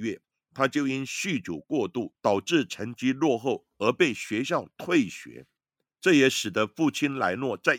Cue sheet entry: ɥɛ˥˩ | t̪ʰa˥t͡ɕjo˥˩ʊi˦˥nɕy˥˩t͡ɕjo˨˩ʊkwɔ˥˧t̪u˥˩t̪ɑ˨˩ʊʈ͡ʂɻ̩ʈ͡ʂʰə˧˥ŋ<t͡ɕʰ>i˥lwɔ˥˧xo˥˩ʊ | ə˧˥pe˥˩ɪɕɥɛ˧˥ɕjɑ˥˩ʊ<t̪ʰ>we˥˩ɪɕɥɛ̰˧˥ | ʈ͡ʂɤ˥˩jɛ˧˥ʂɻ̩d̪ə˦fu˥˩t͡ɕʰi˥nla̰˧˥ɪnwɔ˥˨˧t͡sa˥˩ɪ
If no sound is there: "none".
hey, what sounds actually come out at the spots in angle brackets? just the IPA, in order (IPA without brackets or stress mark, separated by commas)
t͡ɕ, t̪ʰ